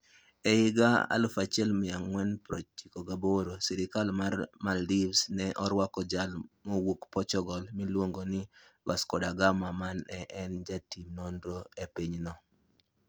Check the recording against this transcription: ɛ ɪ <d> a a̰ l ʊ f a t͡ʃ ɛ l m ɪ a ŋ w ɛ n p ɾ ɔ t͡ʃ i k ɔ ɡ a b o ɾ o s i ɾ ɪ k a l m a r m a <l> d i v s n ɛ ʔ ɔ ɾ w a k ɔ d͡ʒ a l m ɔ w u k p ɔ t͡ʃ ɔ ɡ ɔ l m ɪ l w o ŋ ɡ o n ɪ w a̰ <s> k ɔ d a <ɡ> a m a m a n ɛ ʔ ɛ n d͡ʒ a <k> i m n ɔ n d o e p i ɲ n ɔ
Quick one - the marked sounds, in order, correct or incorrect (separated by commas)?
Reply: incorrect, correct, correct, correct, incorrect